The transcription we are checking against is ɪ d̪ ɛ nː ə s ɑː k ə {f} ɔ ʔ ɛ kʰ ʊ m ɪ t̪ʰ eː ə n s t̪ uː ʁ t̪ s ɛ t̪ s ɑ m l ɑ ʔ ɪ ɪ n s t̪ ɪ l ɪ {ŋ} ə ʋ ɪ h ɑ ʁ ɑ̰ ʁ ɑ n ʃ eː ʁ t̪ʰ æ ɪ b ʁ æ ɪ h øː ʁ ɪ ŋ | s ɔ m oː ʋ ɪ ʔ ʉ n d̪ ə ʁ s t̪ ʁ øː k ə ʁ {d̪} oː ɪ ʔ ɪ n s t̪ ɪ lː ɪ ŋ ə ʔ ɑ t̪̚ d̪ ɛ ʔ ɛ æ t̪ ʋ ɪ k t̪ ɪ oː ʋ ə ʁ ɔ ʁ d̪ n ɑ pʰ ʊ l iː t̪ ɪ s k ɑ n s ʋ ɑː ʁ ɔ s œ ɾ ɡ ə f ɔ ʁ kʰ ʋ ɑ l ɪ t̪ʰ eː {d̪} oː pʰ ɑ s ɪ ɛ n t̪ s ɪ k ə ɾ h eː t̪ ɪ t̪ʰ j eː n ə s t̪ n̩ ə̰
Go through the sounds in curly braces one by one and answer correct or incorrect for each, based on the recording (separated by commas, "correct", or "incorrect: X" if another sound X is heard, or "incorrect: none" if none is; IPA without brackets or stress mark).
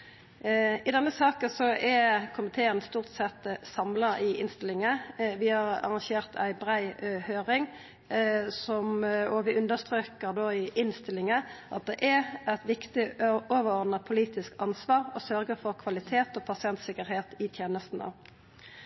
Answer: incorrect: s, correct, correct, incorrect: t̪